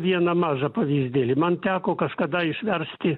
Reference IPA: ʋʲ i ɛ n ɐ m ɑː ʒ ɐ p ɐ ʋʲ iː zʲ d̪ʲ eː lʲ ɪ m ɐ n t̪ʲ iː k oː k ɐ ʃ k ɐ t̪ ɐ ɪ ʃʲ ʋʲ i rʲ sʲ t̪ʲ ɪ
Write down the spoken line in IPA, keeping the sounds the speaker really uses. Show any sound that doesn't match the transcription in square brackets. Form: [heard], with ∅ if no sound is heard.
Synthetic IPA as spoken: ʋʲ i ɛ n ɐ m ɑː ʒ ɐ p ɐ ʋʲ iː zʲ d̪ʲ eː lʲ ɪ m ɐ n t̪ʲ [æː] k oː k ɐ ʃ k ɐ [d̪] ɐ ɪ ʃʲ ʋʲ [ɛ] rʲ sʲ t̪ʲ ɪ

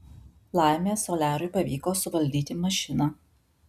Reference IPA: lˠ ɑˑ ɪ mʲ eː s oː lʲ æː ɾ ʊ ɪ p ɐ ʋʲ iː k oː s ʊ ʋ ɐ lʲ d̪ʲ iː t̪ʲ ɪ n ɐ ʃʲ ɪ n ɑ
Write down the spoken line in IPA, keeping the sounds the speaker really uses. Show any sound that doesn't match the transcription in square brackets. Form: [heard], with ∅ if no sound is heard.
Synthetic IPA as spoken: lˠ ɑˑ ɪ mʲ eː s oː lʲ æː ɾ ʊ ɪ p ɐ ʋʲ iː k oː s ʊ ʋ ɐ lʲ d̪ʲ iː t̪ʲ ɪ [m] ɐ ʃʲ ɪ n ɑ

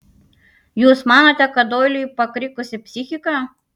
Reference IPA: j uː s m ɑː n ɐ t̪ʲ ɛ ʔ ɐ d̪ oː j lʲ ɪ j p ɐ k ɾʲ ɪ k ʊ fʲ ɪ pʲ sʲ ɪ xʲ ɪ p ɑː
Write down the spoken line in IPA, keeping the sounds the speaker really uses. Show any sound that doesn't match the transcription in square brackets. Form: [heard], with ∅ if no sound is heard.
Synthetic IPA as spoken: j uː s m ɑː n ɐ t̪ʲ ɛ [k] ɐ d̪ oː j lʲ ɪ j p ɐ k ɾʲ ɪ k ʊ [sʲ] ɪ pʲ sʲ ɪ xʲ ɪ [k] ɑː

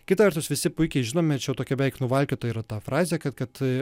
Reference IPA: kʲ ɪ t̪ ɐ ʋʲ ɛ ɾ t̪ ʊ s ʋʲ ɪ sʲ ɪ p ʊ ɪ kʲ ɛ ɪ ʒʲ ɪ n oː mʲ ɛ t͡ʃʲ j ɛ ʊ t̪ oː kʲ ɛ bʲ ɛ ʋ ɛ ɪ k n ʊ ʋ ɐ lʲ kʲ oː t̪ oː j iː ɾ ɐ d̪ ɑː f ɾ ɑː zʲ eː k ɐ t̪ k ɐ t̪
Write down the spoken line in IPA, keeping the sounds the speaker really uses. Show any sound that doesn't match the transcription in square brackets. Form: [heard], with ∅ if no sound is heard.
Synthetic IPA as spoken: kʲ ɪ t̪ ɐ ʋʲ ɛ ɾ t̪ ʊ s ʋʲ ɪ sʲ ɪ p ʊ ɪ kʲ ɛ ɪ ʒʲ ɪ n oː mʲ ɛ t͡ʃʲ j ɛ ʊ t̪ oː kʲ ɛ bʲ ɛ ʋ ɛ ɪ k n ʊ ʋ ɐ lʲ kʲ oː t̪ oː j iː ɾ ɐ [t̪] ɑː f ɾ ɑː zʲ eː k ɐ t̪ k ɐ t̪

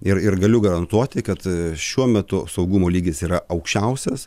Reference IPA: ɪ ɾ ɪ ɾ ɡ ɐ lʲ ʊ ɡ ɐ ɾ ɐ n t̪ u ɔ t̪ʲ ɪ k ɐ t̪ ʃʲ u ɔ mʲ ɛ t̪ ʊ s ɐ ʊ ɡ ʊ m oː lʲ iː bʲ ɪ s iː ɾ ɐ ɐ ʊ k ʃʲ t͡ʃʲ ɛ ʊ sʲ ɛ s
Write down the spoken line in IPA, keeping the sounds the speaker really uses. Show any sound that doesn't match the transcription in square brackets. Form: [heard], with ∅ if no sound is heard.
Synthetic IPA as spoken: ɪ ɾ ɪ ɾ ɡ ɐ lʲ ʊ ɡ ɐ ɾ ɐ n t̪ u ɔ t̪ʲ ɪ k ɐ t̪ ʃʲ u ɔ mʲ ɛ t̪ ʊ s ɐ ʊ ɡ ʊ m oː lʲ iː [ɡʲ] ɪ s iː ɾ ɐ ɐ ʊ k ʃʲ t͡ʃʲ ɛ ʊ sʲ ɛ s

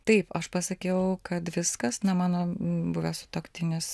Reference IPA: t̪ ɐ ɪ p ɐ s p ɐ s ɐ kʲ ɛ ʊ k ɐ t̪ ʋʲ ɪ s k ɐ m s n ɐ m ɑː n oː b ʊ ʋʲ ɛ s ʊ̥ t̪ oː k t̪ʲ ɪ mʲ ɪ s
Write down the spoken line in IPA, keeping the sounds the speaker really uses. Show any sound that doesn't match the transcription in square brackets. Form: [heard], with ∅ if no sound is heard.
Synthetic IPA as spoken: t̪ ɐ ɪ p ɐ [ʃ] p ɐ s ɐ kʲ ɛ ʊ k ɐ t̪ ʋʲ ɪ s k ɐ [∅] s n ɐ m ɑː n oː b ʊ ʋʲ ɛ s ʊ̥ t̪ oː k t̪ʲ ɪ [nʲ] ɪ s

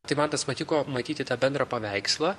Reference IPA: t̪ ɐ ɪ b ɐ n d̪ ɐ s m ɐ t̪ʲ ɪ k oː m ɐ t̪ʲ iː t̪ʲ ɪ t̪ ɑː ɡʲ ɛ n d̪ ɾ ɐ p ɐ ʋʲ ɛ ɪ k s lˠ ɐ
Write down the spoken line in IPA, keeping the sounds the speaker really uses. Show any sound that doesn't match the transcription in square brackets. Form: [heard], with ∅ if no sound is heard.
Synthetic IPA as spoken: t̪ ɐ ɪ [m] ɐ n [t̪] ɐ s m ɐ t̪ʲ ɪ k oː m ɐ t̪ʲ iː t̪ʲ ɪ t̪ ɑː [bʲ] ɛ n d̪ ɾ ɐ p ɐ ʋʲ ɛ ɪ k s lˠ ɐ

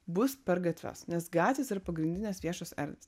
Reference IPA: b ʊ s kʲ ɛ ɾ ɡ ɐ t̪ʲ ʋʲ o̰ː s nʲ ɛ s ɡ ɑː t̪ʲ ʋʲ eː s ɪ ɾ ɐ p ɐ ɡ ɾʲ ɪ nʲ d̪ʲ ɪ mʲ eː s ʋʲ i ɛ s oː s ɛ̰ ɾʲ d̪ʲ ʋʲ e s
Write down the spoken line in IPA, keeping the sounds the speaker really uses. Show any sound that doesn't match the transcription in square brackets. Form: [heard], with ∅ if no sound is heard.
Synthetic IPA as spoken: b ʊ s [pʲ] ɛ ɾ ɡ ɐ t̪ʲ ʋʲ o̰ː s nʲ ɛ s ɡ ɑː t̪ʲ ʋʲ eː s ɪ ɾ ɐ p ɐ ɡ ɾʲ ɪ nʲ d̪ʲ ɪ [nʲ] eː s ʋʲ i ɛ [ʃ] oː s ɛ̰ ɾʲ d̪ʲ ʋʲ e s

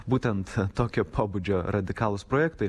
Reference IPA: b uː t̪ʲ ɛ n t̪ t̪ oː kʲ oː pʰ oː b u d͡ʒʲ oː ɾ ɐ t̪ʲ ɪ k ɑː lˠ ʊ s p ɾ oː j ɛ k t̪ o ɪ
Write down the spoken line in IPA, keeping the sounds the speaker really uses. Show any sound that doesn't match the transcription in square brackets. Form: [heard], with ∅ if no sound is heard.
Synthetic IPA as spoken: b uː t̪ʲ ɛ n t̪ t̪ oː kʲ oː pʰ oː b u d͡ʒʲ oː ɾ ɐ [d̪ʲ] ɪ k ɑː lˠ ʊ s p ɾ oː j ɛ k t̪ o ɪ

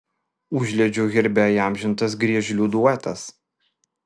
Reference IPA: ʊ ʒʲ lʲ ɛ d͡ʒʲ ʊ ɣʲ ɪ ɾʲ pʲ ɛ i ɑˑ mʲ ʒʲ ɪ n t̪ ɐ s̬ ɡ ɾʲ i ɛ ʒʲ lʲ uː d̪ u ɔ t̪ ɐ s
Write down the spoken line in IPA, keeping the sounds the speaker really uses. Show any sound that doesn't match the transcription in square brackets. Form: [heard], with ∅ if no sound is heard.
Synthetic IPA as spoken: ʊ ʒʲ lʲ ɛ d͡ʒʲ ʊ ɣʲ ɪ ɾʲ [bʲ] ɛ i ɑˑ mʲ ʒʲ ɪ n t̪ ɐ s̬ ɡ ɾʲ i ɛ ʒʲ lʲ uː d̪ u ɔ t̪ ɐ s

